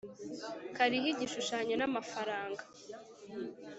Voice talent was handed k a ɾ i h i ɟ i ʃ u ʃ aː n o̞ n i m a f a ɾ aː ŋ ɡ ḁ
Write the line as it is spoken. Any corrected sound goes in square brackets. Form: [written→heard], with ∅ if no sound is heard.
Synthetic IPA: k a ɾ i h i ɟ i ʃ u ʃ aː [n→ɲ] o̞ n [i→a] m a f a ɾ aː ŋ ɡ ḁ